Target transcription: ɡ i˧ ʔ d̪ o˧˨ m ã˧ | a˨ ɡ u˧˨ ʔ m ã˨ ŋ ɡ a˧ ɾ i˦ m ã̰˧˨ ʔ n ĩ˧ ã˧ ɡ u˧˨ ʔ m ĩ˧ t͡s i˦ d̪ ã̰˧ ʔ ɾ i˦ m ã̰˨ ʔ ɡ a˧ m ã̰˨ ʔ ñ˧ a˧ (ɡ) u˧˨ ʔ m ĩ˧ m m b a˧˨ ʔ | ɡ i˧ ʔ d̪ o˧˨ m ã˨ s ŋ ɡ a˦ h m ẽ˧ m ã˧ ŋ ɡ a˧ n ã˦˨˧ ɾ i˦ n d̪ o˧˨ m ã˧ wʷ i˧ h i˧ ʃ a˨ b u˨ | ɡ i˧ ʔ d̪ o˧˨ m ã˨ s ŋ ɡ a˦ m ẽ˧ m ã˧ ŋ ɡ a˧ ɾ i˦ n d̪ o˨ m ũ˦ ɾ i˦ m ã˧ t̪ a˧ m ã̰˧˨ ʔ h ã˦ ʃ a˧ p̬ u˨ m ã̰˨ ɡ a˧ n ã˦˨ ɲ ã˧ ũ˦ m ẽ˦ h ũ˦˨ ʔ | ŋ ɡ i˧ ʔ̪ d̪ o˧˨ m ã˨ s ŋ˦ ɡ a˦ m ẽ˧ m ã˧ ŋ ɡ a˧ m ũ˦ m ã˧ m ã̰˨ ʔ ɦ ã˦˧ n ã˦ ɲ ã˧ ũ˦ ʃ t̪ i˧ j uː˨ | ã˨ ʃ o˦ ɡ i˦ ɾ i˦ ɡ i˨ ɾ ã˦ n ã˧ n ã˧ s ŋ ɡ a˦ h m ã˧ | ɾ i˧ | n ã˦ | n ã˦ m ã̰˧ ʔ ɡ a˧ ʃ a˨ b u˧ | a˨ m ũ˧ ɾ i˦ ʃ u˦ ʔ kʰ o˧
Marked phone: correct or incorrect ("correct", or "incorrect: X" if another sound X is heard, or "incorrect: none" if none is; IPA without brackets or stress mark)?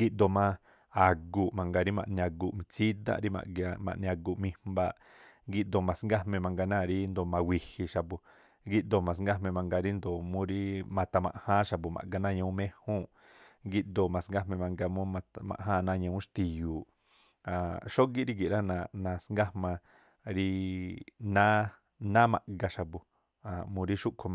correct